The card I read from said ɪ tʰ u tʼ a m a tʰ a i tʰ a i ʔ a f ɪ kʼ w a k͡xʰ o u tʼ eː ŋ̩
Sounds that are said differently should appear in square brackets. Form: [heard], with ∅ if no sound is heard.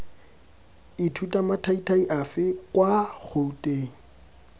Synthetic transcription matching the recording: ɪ tʰ u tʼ a m a tʰ a i tʰ a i ʔ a f ɪ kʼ w a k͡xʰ o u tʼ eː ŋ̩

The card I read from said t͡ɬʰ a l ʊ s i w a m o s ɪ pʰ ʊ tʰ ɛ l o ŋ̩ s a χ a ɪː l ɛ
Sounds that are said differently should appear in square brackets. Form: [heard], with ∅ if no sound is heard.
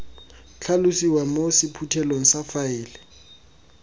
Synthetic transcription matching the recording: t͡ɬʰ a l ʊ s i w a m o s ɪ pʰ [u] tʰ ɛ l o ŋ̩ s a [f] a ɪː l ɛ

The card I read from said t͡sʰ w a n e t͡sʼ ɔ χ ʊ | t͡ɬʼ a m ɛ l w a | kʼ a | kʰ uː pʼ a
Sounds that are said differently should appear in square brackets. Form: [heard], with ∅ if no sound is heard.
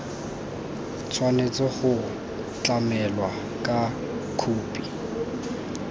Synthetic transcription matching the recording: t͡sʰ w a n e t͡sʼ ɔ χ ʊ | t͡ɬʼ a m ɛ l w a | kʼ a | kʰ uː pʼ [i]

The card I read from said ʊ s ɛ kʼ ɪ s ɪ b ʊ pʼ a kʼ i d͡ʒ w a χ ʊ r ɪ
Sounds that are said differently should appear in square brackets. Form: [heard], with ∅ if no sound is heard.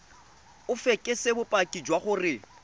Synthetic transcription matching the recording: ʊ [f] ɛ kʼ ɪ s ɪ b ʊ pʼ a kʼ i d͡ʒ w a χ ʊ r ɪ

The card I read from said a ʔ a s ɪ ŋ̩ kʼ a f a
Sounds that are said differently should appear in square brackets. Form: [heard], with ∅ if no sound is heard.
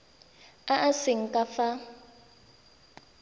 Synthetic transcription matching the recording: a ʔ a s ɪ ŋ̩ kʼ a f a

